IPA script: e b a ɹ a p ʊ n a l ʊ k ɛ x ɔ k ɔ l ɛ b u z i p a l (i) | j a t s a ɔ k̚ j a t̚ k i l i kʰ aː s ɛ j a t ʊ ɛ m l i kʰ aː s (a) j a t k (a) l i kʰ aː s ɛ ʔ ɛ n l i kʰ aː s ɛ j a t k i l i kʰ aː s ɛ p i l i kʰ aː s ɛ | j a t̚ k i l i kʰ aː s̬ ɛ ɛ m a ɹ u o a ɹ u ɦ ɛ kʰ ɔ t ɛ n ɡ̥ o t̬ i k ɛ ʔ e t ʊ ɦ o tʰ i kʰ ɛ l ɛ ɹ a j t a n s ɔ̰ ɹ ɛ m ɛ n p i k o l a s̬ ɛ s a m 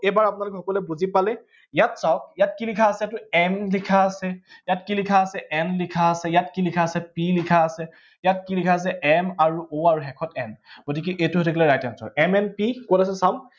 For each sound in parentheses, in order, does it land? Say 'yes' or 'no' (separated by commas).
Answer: no, no, no